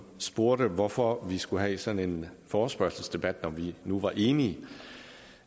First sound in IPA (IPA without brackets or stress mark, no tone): s